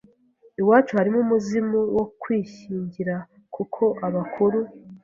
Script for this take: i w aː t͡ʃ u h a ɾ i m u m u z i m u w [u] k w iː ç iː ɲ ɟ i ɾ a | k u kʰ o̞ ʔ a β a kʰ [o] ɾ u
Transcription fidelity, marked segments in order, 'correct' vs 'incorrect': incorrect, incorrect

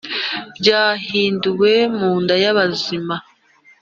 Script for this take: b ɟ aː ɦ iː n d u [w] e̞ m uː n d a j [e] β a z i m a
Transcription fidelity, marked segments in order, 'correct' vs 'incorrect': correct, incorrect

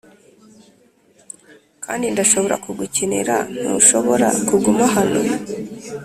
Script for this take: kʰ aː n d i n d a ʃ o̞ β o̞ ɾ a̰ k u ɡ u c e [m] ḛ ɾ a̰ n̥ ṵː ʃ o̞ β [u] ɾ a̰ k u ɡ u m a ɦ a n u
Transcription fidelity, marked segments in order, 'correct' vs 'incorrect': incorrect, incorrect

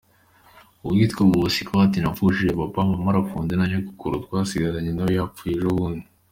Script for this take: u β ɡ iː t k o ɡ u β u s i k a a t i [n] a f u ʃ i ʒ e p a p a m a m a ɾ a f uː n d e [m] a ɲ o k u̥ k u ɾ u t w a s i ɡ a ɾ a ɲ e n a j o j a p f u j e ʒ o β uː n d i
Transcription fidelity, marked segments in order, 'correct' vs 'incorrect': correct, incorrect

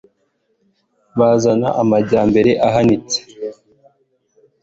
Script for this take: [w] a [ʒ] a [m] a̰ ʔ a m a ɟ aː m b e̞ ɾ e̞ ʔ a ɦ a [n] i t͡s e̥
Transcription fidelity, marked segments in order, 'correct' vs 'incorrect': incorrect, incorrect, incorrect, correct

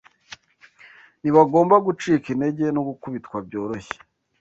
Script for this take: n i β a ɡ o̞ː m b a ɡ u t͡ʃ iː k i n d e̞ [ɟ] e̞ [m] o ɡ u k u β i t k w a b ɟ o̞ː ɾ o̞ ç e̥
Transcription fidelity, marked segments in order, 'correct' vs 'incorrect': correct, incorrect

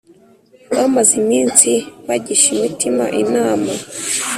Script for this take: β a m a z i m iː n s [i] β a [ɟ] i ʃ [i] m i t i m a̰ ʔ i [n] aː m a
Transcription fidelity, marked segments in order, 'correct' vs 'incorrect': correct, correct, correct, correct

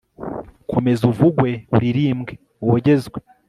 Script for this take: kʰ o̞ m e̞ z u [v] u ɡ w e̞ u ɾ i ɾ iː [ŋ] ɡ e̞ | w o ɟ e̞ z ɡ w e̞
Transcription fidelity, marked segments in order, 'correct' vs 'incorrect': correct, incorrect

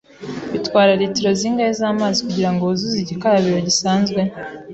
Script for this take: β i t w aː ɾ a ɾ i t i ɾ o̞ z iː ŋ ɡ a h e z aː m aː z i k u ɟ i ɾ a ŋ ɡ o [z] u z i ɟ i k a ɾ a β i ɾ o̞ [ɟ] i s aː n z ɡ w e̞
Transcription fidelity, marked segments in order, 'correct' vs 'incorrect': correct, correct

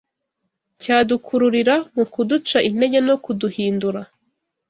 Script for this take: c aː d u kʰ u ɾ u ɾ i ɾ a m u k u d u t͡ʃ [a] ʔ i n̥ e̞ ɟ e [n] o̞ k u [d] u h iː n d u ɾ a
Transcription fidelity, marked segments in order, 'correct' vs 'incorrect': correct, correct, correct

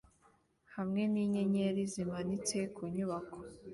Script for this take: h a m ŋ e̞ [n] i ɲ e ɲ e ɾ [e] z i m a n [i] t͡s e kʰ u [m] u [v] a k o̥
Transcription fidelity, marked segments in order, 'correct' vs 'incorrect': correct, incorrect, correct, incorrect, incorrect

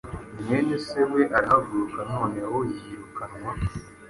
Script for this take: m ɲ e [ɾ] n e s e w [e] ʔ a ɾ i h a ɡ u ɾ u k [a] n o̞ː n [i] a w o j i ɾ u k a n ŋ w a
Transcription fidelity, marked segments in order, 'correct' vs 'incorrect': incorrect, correct, correct, incorrect

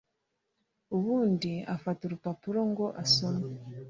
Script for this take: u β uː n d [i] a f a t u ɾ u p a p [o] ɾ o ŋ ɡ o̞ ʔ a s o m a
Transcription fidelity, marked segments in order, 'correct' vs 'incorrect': correct, incorrect

